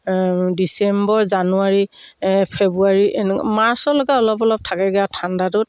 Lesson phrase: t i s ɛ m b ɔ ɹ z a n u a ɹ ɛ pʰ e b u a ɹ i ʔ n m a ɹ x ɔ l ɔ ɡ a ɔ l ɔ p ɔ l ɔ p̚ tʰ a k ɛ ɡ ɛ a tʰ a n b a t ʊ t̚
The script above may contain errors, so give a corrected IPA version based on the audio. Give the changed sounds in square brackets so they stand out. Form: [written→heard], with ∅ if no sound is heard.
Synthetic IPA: [t→d] i s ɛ m b ɔ ɹ z a n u a ɹ [ɛ→i] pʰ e b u a ɹ i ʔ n m a ɹ [x→s] ɔ l ɔ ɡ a ɔ l ɔ p ɔ l ɔ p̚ tʰ a k ɛ ɡ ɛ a tʰ a n [b→d] a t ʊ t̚